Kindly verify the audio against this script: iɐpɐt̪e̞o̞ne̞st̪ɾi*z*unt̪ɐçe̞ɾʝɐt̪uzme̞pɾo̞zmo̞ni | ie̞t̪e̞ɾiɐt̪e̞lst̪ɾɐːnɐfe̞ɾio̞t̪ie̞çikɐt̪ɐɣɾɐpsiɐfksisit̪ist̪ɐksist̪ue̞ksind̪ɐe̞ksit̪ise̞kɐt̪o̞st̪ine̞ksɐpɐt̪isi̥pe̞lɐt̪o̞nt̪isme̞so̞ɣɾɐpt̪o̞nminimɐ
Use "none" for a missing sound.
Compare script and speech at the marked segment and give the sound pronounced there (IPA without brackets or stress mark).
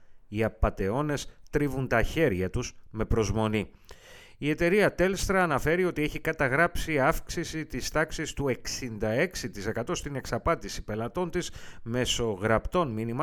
v